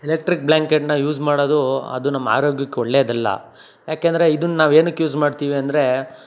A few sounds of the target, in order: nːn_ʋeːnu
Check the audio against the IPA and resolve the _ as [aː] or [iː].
aː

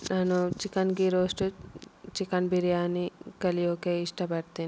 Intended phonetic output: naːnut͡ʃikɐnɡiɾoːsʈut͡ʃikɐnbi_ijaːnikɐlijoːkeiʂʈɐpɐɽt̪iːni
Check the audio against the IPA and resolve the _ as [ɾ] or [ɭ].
ɾ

